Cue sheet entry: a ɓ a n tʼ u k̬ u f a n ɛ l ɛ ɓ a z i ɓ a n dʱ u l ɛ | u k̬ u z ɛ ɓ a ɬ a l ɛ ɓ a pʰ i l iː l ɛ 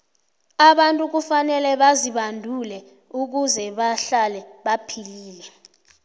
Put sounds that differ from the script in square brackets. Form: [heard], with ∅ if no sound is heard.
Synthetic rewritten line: a ɓ a n tʼ u k̬ u f a n ɛ l ɛ ɓ a z i ɓ a n dʱ u l ɛ | u k̬ u z ɛ ɓ a ɬ a l ɛ ɓ a pʰ i l iː l ɛ